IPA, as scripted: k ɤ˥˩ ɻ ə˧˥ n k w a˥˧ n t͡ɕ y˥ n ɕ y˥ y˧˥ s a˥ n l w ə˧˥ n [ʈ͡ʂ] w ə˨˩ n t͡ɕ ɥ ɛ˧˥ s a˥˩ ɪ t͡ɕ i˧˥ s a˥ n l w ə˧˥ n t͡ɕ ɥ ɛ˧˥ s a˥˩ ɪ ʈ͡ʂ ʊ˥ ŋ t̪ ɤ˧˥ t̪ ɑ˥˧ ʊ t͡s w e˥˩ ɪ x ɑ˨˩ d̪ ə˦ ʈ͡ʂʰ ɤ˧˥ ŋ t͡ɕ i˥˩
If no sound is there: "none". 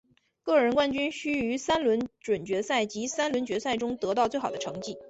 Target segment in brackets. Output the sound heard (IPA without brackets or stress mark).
ʈ͡ʂ